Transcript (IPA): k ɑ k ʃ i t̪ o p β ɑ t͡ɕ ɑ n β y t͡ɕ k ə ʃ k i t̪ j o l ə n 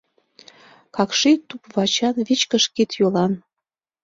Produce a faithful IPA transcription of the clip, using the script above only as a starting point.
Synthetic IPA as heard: k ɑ k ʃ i t̪ u p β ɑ t͡ɕ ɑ n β i t͡ɕ k ə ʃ k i t̪ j o l ɑ n